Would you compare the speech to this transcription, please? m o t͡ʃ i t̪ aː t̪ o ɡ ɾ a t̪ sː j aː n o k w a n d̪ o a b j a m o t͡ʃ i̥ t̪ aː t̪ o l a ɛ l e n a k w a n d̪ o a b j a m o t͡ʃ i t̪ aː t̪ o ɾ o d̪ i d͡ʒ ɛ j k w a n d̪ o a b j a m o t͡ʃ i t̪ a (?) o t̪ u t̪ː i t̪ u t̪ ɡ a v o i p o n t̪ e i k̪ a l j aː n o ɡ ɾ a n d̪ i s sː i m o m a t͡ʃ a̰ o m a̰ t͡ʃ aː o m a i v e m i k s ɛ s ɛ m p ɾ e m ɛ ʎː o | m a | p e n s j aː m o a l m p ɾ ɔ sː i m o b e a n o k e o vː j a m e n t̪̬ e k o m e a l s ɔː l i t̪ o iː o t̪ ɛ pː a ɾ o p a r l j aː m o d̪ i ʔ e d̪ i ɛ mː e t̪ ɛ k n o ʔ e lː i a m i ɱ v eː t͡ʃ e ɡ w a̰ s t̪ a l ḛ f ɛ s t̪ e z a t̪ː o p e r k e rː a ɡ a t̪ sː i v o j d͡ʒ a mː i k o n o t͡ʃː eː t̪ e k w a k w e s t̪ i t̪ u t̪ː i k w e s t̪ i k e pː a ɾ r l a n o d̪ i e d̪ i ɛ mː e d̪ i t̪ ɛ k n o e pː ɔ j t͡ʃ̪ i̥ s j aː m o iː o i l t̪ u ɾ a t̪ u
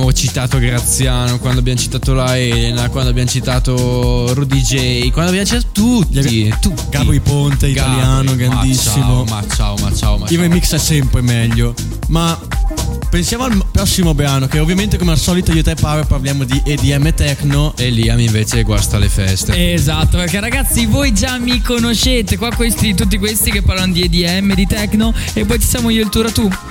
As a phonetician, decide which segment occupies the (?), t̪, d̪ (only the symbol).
t̪